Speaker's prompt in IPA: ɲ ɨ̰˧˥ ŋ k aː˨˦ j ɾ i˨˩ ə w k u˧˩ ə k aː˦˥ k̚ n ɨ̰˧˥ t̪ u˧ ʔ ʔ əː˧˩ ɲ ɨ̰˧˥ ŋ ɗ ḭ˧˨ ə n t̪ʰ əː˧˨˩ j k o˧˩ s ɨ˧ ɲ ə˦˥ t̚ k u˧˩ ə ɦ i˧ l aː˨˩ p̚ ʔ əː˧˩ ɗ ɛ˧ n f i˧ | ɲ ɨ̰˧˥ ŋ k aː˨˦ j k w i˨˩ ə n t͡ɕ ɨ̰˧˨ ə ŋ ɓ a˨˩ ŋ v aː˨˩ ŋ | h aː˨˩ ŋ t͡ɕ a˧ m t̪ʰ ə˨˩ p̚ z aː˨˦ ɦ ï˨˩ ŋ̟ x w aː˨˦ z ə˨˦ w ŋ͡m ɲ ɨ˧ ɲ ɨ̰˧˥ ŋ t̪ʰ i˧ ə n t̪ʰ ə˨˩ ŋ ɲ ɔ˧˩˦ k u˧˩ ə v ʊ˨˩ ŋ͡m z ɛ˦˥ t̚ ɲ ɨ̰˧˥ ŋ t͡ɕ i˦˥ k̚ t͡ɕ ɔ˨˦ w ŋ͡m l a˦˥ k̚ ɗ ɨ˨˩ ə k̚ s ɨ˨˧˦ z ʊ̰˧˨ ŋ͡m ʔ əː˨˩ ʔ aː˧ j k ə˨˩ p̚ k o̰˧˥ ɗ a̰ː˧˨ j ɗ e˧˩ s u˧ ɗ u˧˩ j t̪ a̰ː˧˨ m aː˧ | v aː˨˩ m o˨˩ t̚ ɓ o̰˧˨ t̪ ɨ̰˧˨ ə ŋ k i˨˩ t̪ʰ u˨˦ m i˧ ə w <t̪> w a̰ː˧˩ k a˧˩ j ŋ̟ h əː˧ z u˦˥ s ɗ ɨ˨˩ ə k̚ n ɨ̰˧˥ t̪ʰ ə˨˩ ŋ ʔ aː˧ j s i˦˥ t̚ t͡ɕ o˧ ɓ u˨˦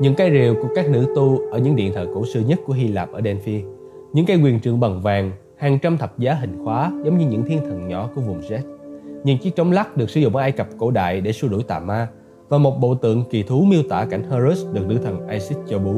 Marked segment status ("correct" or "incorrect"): correct